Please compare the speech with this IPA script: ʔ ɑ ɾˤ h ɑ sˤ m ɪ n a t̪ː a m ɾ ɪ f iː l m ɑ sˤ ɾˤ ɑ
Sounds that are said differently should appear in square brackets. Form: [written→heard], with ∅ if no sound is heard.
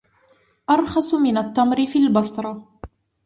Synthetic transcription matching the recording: ʔ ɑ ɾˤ [h→x] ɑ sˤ m ɪ n a t̪ː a m ɾ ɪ f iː l [m→b] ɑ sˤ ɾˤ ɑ